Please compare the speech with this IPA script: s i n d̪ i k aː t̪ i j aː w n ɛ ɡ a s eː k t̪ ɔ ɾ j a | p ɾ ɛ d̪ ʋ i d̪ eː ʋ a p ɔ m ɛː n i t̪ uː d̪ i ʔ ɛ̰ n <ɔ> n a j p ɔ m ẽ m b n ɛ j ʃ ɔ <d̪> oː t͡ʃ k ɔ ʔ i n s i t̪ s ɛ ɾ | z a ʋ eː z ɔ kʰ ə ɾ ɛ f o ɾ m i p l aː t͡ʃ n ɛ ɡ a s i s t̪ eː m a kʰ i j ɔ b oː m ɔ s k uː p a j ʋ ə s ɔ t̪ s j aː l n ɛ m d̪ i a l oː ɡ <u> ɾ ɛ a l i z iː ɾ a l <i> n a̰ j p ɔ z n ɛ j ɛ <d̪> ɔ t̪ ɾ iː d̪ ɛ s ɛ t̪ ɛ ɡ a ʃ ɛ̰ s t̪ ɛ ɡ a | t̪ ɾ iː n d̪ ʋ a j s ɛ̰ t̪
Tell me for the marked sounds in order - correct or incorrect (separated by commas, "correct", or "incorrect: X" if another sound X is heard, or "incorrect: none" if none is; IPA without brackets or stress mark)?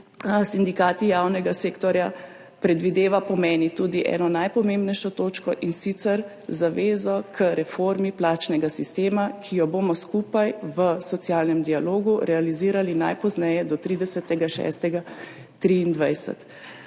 correct, incorrect: t̪, correct, correct, correct